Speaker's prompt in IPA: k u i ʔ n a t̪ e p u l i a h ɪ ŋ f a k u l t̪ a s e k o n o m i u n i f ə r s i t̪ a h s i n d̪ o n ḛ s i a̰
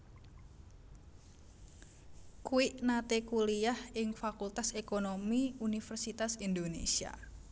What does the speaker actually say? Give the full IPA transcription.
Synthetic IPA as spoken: k u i ʔ n a t̪ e k u l i a h ɪ ŋ f a k u l t̪ a s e k o n o m i u n i f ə r s i t̪ a s i n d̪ o n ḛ s i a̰